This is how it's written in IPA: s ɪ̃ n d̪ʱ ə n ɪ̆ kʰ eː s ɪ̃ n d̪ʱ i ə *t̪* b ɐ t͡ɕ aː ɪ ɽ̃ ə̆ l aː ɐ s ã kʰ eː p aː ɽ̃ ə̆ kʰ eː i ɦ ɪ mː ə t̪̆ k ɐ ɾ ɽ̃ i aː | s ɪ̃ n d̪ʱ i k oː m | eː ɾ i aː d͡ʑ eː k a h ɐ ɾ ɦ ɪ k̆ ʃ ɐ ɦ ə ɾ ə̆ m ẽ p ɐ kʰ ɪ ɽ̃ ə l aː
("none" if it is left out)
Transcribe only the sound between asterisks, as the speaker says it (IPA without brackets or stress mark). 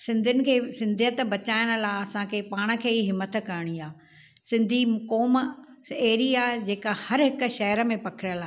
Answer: t̪